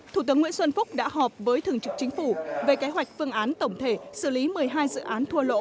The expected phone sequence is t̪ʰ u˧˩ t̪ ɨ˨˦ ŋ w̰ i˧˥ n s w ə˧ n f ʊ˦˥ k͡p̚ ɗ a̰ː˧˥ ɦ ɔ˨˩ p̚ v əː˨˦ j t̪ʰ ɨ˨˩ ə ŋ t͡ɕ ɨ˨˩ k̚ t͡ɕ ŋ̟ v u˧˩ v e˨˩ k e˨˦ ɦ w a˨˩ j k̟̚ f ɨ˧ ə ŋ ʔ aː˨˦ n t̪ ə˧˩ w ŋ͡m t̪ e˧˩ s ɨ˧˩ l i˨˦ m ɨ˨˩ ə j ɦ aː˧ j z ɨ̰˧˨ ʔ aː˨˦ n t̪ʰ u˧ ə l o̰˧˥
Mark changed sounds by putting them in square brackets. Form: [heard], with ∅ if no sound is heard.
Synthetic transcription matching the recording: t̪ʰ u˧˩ t̪ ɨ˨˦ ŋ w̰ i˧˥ n s w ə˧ n f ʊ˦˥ k͡p̚ ɗ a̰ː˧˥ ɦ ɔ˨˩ p̚ v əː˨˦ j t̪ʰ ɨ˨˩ ə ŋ t͡ɕ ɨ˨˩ k̚ t͡ɕ ŋ̟ [f] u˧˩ v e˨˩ k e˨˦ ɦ w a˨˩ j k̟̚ f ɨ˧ ə ŋ ʔ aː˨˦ n t̪ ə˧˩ w ŋ͡m [t̪ʰ] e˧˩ s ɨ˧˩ l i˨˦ m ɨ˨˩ ə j ɦ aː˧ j z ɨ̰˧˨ ʔ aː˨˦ n t̪ʰ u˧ ə l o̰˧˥

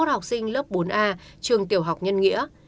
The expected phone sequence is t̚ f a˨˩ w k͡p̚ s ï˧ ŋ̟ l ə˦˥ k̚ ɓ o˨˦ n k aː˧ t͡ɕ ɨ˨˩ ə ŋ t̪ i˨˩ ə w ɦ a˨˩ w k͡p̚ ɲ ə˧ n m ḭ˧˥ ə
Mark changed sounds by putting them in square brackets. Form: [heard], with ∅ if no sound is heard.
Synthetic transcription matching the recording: t̚ [h] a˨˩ w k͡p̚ s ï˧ ŋ̟ l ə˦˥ [p̚] ɓ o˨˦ n [ʔ] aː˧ t͡ɕ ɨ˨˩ ə ŋ t̪ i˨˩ ə w ɦ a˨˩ w k͡p̚ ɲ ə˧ n [ŋ] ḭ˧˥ ə

